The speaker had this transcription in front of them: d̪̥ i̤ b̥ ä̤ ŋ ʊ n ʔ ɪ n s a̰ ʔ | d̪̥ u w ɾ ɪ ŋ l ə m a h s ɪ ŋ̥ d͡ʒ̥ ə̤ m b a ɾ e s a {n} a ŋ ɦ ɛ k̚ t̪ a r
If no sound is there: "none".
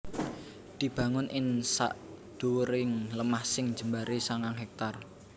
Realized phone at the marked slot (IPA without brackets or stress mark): ŋ